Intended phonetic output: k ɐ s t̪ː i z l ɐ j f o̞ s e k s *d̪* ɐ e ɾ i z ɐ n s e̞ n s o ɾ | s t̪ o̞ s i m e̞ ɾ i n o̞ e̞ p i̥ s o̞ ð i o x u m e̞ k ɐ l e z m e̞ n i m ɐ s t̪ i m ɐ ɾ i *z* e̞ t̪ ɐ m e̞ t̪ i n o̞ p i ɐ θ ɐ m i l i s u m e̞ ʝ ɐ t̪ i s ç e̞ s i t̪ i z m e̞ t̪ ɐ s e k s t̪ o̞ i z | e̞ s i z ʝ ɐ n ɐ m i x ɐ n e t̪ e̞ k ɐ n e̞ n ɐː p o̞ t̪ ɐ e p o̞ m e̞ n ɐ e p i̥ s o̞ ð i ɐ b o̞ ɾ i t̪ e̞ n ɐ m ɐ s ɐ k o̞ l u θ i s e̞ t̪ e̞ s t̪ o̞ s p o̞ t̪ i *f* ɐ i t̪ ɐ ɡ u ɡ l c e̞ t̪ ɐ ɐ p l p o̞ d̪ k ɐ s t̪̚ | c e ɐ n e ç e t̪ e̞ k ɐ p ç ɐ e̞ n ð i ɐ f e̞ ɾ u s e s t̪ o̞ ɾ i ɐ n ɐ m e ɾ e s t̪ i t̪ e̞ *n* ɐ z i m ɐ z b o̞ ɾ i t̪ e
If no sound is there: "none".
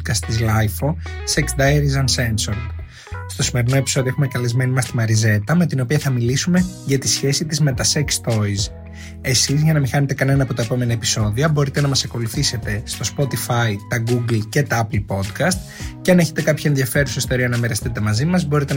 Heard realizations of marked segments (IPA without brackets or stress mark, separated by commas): d̪, z, f, m